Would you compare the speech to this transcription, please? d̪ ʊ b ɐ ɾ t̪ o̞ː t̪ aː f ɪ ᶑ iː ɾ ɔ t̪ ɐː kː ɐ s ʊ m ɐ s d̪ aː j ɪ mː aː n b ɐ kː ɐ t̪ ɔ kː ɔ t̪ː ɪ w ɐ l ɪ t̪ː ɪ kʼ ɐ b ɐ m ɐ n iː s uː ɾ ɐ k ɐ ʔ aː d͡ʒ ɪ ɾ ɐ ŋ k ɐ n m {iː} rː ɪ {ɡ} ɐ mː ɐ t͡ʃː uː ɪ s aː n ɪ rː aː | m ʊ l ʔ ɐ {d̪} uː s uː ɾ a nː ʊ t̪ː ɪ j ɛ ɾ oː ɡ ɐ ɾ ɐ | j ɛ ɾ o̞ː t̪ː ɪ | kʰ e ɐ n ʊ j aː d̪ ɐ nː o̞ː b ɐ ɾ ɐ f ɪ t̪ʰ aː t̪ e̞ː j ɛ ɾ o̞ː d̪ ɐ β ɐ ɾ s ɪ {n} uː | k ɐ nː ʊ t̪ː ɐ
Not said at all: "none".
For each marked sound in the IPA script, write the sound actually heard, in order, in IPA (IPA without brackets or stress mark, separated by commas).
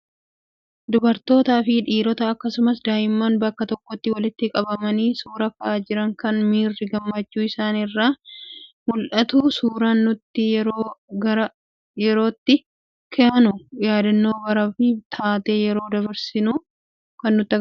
iː, ɡ, t̪, n